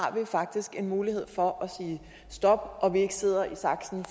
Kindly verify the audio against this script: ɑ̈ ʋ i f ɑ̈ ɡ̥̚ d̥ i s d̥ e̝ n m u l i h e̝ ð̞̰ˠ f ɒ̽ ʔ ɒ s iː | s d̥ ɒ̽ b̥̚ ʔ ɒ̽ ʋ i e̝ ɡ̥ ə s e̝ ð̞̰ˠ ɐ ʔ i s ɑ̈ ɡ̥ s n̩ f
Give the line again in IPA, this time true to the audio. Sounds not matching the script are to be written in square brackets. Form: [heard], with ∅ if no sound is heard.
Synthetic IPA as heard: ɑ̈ ʋ i f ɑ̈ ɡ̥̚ d̥ i s [ɡ̥] e̝ n m [uː] l i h e̝ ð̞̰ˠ f ɒ̽ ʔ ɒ s iː | s d̥ ɒ̽ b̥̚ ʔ ɒ̽ ʋ i e̝ ɡ̥ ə s e̝ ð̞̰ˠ ɐ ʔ i s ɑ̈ ɡ̥ s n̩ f

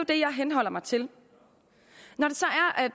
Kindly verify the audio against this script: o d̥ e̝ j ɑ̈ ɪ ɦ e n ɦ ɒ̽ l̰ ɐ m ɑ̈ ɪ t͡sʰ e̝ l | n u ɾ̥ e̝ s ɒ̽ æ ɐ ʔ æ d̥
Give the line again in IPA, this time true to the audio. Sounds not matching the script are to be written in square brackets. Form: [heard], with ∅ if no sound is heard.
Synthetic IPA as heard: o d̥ e̝ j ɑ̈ ɪ ɦ e n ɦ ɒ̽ l̰ ɐ m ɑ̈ ɪ t͡sʰ e̝ l | n [ɒ] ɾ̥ e̝ s ɒ̽ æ ɐ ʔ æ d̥

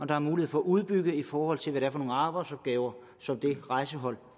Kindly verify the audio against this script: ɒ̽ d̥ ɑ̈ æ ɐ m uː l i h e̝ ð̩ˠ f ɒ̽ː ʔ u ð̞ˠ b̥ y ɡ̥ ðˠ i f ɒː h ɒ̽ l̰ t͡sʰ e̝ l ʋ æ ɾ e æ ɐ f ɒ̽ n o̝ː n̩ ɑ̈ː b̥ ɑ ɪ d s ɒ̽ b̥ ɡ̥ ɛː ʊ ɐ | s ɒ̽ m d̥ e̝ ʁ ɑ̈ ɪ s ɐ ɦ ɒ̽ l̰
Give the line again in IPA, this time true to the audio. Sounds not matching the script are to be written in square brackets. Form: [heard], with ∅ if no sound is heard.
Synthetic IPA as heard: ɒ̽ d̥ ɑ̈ æ ɐ m uː l i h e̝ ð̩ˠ f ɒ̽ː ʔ u ð̞ˠ b̥ y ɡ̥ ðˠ i f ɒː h ɒ̽ l̰ t͡sʰ e̝ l ʋ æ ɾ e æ ɐ f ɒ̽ n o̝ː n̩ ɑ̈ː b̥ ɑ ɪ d s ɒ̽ b̥ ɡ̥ ɛː ʊ ɐ | s ɒ̽ m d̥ e̝ ʁ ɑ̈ ɪ s [ə] ɦ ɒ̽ l̰

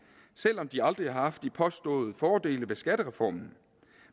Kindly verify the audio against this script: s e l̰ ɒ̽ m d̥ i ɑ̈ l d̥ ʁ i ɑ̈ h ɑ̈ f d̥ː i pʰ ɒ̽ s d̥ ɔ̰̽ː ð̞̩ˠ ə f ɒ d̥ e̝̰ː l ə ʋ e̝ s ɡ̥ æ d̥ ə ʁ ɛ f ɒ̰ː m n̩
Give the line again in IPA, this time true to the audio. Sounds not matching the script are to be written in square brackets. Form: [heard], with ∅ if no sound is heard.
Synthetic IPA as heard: s e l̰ ɒ̽ m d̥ i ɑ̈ l d̥ ʁ i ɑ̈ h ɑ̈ f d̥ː i pʰ ɒ̽ s d̥ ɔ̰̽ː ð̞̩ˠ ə f [ɒː] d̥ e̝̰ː l ə ʋ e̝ s ɡ̥ æ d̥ ə ʁ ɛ f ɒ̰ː m n̩

